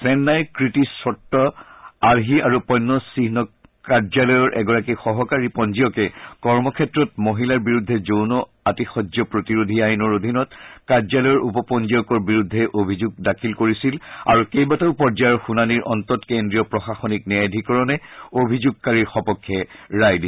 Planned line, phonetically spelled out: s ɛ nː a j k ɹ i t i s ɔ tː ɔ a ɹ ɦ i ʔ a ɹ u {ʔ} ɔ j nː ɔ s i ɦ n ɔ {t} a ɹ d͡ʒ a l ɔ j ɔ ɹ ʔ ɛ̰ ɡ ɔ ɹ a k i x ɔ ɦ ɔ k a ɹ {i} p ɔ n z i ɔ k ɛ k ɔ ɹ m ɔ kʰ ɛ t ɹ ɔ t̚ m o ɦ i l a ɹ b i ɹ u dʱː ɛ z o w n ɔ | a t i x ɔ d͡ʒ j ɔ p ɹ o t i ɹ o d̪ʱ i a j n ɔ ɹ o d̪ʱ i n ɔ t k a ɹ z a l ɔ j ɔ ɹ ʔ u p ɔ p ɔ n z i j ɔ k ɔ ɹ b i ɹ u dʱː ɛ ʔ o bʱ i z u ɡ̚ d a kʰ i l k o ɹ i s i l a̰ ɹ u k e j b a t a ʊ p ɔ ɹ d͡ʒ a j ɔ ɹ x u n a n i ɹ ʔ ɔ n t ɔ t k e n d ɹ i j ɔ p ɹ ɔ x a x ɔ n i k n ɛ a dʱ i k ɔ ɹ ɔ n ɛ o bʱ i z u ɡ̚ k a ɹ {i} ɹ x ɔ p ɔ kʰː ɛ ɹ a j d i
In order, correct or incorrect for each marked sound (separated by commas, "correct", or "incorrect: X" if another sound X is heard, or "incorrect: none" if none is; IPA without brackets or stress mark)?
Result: incorrect: p, incorrect: k, correct, correct